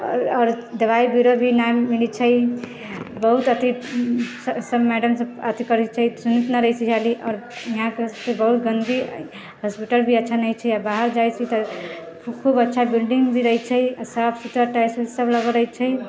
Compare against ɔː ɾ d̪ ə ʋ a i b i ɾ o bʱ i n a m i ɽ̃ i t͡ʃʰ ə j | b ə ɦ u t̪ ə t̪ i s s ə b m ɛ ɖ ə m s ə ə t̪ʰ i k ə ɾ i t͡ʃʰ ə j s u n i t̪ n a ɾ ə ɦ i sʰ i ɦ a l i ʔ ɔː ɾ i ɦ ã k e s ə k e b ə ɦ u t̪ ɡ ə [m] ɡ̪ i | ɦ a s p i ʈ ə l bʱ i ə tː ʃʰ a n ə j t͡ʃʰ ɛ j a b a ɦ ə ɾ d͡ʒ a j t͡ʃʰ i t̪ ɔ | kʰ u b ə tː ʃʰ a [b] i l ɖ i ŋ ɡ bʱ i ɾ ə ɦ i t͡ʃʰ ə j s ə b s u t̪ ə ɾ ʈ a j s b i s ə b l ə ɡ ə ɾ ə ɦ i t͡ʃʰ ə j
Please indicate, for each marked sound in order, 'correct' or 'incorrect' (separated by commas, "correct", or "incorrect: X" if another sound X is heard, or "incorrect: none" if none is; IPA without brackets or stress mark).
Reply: incorrect: n, correct